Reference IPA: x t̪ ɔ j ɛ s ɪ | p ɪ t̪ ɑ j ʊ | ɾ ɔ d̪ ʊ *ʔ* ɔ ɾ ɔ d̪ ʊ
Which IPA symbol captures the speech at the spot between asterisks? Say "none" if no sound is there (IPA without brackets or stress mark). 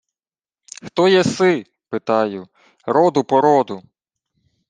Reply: p